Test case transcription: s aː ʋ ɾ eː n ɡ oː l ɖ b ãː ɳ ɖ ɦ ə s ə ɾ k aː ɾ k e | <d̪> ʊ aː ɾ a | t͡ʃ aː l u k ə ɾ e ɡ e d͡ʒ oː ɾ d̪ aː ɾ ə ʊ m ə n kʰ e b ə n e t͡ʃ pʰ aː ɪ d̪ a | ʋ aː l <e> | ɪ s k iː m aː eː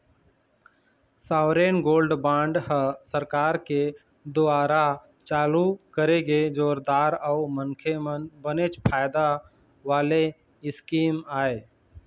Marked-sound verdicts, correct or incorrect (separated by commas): correct, correct